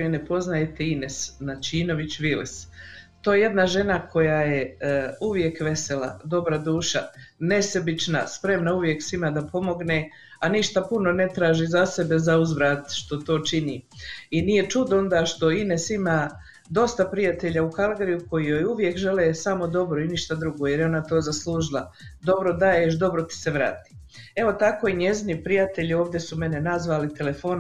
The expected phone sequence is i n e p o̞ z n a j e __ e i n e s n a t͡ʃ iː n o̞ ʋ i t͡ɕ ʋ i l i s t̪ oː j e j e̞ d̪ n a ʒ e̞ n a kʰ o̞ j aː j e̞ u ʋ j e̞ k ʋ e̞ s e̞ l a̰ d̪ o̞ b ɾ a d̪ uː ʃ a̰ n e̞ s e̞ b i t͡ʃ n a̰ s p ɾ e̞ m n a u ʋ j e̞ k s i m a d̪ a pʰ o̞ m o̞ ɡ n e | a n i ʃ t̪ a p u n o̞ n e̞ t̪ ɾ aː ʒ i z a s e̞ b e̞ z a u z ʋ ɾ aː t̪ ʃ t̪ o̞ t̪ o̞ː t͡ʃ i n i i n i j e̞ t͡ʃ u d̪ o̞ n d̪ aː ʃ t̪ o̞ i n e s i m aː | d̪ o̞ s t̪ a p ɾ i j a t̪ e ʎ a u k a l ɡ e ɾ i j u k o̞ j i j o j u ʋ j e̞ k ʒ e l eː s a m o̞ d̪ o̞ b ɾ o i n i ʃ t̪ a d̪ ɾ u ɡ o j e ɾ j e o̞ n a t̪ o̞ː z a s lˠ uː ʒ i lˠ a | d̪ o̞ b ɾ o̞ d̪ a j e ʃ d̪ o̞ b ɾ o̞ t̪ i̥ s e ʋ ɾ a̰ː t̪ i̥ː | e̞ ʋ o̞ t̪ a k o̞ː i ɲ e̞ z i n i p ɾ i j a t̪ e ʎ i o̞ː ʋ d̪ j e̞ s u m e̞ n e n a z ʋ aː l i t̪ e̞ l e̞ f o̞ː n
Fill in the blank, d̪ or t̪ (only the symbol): t̪